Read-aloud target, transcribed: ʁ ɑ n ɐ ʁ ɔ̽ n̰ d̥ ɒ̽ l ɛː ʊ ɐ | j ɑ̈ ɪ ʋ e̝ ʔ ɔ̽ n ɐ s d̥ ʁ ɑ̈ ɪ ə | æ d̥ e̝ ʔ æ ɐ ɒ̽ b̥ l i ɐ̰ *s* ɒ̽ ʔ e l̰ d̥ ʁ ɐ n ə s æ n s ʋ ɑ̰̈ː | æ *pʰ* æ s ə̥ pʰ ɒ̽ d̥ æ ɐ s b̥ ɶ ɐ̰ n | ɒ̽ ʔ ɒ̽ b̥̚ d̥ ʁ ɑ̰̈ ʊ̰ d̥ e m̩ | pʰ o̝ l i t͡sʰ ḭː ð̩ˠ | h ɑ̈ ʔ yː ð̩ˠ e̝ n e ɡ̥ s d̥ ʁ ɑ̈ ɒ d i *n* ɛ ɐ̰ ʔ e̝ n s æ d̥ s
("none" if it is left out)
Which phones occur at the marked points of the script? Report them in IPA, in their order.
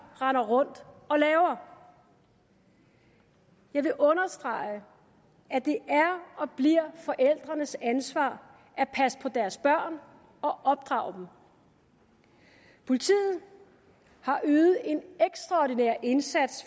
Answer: f, pʰ, n

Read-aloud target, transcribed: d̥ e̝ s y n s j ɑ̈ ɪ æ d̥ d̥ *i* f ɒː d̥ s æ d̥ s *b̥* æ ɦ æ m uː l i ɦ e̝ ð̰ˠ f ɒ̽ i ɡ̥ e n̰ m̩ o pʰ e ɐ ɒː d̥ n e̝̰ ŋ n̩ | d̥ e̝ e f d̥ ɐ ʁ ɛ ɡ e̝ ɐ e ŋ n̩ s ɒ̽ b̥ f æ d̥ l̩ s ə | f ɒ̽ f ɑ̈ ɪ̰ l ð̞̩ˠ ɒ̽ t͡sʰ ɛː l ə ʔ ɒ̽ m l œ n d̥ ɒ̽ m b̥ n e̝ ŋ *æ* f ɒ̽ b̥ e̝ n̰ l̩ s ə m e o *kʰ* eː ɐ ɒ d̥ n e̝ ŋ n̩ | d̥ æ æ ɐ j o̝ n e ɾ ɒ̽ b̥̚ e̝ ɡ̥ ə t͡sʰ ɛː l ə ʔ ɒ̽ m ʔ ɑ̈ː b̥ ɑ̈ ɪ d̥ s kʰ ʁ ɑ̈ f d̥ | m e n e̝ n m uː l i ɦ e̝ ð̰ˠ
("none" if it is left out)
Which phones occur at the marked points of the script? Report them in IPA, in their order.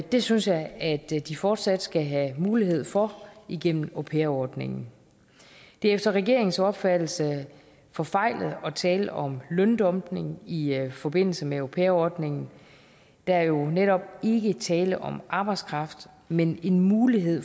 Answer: i, ɡ̥, i, pʰ

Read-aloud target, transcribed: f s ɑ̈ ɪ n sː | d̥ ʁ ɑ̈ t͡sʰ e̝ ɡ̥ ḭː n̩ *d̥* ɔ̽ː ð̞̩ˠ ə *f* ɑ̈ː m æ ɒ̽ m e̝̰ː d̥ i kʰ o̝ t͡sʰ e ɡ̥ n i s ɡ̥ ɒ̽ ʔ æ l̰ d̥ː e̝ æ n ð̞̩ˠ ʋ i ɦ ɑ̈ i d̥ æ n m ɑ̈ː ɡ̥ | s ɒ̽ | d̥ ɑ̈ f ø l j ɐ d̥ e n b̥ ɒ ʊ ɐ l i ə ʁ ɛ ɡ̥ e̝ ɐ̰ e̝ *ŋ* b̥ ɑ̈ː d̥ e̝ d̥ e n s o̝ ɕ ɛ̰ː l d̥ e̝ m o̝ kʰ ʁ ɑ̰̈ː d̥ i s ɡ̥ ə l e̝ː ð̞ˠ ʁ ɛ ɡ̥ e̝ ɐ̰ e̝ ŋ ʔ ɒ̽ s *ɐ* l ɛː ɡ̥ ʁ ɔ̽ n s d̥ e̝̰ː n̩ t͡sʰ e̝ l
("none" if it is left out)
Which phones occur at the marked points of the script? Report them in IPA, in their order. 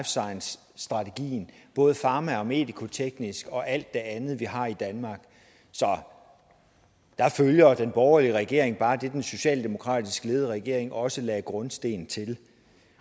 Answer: b̥, f, ŋ, ə

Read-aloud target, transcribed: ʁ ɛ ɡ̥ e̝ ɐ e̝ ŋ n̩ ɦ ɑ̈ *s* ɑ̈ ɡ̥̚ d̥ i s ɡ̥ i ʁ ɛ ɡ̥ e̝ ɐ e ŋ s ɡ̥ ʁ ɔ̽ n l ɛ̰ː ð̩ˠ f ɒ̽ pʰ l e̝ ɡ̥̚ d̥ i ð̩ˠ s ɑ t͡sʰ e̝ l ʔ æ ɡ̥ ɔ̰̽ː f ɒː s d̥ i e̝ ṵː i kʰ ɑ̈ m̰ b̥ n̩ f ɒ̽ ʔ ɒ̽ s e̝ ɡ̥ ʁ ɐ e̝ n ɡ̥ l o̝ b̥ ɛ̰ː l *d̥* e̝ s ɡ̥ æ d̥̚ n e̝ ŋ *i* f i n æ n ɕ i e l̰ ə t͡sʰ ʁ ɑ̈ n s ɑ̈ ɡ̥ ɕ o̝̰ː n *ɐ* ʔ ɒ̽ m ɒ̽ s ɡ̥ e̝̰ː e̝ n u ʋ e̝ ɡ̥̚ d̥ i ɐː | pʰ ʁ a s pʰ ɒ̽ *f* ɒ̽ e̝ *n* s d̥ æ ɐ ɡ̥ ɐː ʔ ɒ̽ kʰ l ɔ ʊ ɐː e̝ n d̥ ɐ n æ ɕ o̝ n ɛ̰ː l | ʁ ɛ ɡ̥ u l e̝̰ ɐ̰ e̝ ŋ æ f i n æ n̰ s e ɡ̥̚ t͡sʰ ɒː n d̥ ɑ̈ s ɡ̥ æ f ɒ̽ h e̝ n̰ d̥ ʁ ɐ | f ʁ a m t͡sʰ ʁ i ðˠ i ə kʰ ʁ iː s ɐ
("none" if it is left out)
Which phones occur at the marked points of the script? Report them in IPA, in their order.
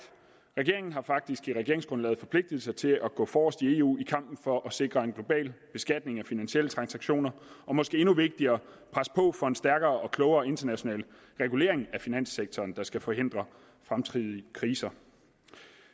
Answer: f, b̥, æ, ɐ, f, n

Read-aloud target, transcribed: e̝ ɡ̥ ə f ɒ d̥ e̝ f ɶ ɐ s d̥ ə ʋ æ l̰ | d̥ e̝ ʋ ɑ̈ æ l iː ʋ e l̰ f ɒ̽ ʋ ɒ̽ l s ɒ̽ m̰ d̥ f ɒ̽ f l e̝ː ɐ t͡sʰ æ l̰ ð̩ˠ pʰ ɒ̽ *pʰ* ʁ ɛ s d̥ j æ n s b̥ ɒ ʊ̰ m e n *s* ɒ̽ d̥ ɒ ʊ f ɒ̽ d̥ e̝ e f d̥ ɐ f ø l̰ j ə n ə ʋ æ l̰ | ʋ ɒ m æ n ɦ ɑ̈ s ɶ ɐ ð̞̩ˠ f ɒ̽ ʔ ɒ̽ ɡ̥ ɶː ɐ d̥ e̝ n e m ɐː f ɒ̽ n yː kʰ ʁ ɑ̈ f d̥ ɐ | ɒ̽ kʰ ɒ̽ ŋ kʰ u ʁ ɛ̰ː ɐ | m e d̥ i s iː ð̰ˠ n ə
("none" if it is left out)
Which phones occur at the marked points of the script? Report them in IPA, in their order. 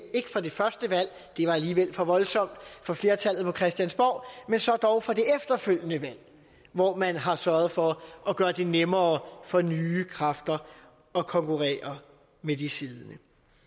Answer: kʰ, s

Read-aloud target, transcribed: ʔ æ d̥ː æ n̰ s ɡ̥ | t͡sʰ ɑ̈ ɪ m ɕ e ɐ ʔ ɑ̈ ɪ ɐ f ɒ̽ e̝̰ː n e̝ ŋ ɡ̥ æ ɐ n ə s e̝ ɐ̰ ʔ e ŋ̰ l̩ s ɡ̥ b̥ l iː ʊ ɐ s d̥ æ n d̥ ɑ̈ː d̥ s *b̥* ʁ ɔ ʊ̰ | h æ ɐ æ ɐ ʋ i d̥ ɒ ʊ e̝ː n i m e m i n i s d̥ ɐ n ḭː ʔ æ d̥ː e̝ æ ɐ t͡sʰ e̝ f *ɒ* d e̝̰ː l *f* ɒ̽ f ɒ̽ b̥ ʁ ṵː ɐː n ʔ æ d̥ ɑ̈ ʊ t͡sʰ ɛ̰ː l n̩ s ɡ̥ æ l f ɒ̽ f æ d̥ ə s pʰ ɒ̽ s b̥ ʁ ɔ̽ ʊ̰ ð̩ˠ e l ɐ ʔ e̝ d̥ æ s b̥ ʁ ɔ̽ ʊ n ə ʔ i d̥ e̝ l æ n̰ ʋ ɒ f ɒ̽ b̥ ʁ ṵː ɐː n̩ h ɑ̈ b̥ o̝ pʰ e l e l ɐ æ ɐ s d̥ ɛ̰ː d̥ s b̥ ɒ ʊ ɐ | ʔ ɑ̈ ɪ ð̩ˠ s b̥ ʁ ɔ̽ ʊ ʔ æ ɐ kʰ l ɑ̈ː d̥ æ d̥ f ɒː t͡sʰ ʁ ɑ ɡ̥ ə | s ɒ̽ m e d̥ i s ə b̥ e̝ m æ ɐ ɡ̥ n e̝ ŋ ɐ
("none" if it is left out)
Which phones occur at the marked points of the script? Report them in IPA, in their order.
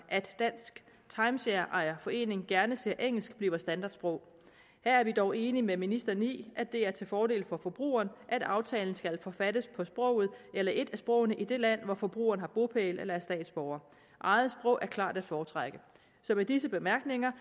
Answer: b̥, ɒː, f

